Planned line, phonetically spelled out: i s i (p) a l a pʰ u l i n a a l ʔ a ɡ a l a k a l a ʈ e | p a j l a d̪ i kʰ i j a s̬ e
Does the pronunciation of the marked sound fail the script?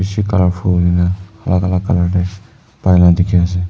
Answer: yes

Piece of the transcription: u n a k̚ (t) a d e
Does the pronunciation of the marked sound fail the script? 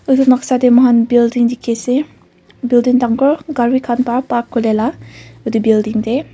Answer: yes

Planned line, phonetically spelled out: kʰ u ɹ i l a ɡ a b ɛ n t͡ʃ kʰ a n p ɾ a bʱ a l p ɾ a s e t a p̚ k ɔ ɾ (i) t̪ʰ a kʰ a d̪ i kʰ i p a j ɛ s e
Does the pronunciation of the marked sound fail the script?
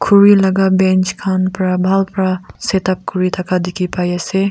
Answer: no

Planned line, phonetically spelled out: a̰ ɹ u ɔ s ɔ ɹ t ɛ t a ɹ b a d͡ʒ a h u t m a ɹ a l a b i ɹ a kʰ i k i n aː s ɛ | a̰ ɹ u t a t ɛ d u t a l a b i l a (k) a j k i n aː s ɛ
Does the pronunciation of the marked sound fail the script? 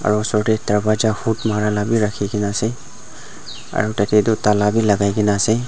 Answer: yes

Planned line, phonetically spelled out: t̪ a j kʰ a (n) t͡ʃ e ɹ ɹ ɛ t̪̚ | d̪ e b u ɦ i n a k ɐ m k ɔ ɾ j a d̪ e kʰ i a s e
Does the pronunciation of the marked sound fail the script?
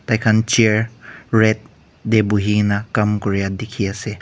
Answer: no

